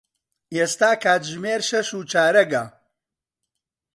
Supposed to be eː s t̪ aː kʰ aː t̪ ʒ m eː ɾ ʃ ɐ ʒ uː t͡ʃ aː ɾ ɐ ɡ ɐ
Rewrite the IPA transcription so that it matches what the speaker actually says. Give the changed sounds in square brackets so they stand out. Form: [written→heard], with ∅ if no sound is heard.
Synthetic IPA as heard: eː s t̪ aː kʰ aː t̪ ʒ m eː ɾ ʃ ɐ [ʒ→ʃ] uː t͡ʃ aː ɾ ɐ ɡ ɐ